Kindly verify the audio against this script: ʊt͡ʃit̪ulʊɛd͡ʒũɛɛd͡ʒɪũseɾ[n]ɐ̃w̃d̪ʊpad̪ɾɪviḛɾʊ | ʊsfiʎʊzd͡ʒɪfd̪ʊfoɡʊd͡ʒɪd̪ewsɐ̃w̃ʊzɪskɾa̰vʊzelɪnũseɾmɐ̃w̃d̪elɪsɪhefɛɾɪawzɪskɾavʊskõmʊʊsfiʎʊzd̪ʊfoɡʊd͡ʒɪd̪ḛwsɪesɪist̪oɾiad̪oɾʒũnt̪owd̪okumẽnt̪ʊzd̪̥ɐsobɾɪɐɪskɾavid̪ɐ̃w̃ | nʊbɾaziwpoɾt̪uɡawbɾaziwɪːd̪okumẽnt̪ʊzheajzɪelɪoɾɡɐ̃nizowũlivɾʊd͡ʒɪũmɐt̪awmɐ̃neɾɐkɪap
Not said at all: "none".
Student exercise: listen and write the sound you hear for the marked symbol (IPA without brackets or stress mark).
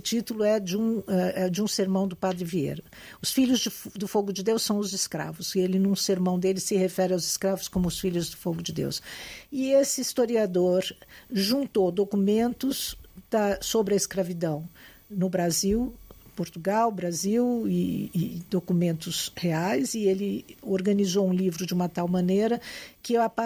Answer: m